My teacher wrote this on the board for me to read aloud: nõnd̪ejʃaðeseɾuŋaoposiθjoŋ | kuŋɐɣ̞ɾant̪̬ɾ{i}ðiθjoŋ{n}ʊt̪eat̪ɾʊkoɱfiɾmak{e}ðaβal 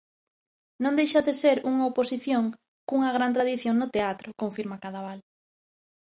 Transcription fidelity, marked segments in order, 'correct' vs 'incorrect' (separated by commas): incorrect, correct, incorrect